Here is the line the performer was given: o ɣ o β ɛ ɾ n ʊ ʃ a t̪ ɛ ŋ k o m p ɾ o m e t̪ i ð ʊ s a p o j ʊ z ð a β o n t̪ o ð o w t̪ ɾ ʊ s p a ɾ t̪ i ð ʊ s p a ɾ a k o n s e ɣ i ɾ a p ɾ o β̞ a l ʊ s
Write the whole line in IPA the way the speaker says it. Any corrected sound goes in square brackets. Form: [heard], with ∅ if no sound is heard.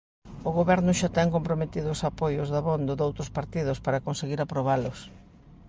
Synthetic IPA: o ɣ o β ɛ ɾ n ʊ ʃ a t̪ ɛ ŋ k o m p ɾ o m e t̪ i ð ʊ s a p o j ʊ z ð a β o n [d̪] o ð o w t̪ ɾ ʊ s p a ɾ t̪ i ð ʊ s p a ɾ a k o n s e ɣ i ɾ a p ɾ o β̞ a l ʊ s